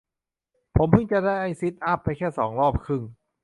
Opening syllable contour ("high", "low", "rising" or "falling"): rising